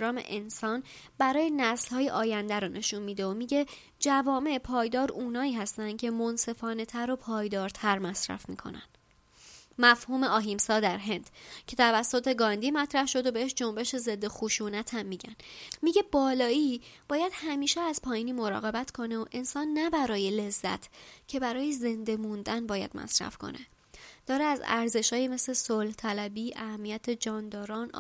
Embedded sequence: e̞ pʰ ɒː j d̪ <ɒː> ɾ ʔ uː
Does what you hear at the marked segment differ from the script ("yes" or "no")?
no